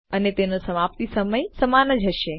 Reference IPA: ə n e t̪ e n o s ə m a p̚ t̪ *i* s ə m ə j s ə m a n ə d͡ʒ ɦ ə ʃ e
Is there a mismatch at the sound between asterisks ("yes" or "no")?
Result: no